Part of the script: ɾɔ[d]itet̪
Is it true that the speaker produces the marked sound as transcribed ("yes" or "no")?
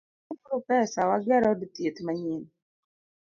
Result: yes